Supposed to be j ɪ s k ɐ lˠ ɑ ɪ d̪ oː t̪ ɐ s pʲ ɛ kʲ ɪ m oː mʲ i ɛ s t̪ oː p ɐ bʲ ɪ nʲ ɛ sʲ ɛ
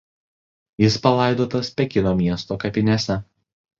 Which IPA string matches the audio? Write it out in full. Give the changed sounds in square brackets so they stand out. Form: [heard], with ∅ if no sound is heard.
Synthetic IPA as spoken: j ɪ s [p] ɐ lˠ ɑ ɪ d̪ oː t̪ ɐ s pʲ ɛ kʲ ɪ [n] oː mʲ i ɛ s t̪ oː [k] ɐ [pʲ] ɪ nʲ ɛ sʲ ɛ